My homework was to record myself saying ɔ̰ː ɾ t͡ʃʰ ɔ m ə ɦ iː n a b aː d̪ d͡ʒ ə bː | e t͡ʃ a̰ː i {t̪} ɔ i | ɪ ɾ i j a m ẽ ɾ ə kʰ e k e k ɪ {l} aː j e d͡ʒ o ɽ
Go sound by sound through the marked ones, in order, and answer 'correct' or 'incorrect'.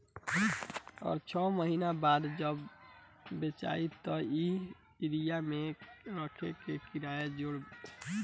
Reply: correct, incorrect: ɾ

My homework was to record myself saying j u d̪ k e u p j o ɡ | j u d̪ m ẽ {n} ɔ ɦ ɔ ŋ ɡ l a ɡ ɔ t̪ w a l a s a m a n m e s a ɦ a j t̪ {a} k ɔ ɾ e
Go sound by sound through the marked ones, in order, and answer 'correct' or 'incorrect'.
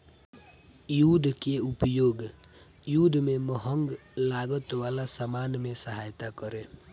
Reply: incorrect: m, correct

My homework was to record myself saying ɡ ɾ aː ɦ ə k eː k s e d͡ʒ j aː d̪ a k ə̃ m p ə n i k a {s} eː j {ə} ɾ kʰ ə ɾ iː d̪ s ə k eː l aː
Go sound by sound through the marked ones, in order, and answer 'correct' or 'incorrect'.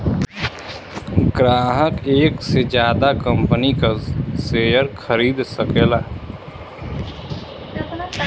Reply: correct, correct

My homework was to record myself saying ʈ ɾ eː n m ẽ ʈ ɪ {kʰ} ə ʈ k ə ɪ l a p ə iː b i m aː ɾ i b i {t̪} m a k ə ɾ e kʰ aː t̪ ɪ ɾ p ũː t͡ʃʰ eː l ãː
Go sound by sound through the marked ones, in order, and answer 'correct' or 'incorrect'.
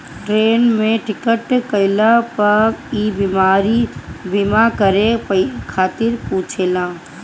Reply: incorrect: k, incorrect: none

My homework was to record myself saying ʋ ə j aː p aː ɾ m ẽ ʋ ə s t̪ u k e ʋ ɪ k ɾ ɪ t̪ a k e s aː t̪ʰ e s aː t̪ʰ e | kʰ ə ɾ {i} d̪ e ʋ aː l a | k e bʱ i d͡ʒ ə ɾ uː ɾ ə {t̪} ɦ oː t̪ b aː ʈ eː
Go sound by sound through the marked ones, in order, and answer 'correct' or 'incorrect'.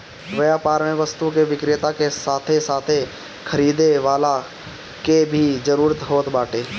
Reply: incorrect: iː, correct

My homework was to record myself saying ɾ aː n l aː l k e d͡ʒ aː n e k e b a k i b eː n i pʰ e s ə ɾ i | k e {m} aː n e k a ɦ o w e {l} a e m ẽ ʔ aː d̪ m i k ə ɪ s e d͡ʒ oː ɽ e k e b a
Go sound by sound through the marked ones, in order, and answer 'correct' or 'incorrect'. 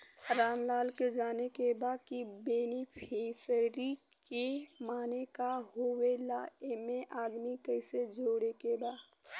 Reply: correct, correct

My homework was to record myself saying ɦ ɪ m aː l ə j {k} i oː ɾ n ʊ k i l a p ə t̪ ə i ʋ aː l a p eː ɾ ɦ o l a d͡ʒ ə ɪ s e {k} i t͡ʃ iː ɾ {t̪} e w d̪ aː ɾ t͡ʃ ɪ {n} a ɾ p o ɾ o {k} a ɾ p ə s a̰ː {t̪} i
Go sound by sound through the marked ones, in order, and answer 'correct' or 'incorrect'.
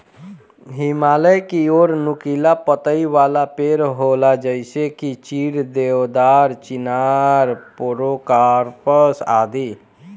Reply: correct, correct, incorrect: d̪, correct, correct, incorrect: d̪

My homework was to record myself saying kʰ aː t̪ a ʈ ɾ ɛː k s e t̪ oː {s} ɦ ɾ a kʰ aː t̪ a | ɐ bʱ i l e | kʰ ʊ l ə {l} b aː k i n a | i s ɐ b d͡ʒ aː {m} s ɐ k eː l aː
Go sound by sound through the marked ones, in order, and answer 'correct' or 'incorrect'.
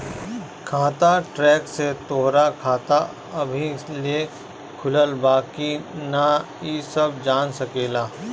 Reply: incorrect: none, correct, incorrect: n

